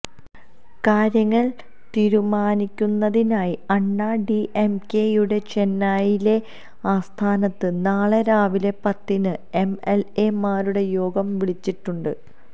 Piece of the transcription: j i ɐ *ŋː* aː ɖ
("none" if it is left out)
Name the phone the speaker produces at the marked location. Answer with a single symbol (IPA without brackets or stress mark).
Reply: ɳː